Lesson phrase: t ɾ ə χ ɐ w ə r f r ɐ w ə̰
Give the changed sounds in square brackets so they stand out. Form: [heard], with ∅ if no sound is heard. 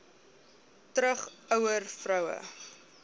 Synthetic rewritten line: t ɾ ə χ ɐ w ə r f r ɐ w ə̰